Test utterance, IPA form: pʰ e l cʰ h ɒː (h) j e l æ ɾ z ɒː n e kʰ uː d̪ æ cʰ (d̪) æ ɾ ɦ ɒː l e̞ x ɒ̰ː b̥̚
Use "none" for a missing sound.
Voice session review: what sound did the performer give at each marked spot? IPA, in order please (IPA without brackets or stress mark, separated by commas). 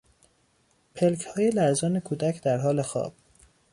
none, d̪